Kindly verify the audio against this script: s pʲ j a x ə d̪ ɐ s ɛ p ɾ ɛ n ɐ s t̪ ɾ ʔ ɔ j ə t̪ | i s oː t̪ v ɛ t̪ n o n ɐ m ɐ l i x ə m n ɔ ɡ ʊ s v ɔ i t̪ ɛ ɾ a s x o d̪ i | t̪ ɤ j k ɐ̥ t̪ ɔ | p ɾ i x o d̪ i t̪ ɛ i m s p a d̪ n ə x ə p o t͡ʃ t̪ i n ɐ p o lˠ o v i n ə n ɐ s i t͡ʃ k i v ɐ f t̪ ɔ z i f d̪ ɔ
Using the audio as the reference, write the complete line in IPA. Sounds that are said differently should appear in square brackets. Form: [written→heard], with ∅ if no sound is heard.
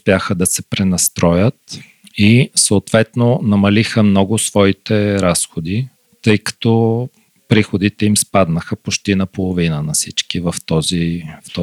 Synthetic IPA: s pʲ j a x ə d̪ ɐ s ɛ p ɾ ɛ n ɐ s t̪ ɾ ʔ ɔ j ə t̪ | i s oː t̪ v ɛ t̪ n o n ɐ m ɐ l i x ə m n ɔ ɡ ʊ s v ɔ i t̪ ɛ ɾ a s x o d̪ i | t̪ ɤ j k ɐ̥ t̪ ɔ | p ɾ i x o d̪ i t̪ ɛ i m s p a d̪ n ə x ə p o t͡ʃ t̪ i n ɐ p o lˠ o v i n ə n ɐ s i t͡ʃ k i v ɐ f t̪ ɔ z i f [d̪→t̪] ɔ